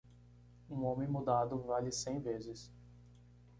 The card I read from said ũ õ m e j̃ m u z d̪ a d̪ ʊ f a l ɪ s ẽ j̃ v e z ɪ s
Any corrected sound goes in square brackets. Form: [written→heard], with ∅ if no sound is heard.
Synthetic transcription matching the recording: ũ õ m [e→ẽ] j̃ m u [z→∅] d̪ a d̪ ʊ [f→v] a l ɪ s ẽ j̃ v e z ɪ s